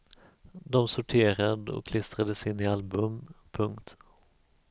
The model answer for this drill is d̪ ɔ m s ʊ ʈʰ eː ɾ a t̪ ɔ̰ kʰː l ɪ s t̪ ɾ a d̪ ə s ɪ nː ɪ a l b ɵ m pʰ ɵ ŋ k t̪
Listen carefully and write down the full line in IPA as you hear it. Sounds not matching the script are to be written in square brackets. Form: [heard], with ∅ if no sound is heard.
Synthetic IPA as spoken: d̪ ɔ m s ʊ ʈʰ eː ɾ a [d̪] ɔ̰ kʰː l ɪ s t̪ ɾ a d̪ ə s ɪ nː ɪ a l b ɵ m pʰ ɵ ŋ k t̪